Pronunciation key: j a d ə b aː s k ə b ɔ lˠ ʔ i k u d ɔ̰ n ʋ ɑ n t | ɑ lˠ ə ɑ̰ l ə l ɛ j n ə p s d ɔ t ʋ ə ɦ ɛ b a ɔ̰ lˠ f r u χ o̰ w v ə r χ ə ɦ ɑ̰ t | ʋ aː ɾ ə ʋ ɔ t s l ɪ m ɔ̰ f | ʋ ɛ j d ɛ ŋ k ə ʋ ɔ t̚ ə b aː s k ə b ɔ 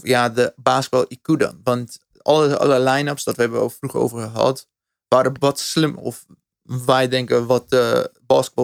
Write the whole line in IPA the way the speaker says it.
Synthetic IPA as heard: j a d ə b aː s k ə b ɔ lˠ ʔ i k u d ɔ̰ n ʋ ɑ n t | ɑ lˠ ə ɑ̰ l ə l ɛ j n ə p s d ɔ t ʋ ə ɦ ɛ b ə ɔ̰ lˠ f r u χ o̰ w v ə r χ ə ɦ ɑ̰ t | ʋ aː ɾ ə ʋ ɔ t s l ɪ m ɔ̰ f | ʋ ɛ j d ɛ ŋ k ə ʋ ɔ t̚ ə b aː s k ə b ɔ